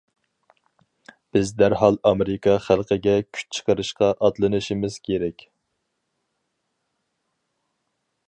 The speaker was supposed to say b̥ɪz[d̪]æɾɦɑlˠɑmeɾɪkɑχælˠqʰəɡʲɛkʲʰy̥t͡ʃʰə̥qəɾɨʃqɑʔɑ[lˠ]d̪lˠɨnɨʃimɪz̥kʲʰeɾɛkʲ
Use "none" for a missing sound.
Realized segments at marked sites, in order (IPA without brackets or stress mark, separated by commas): d̪, none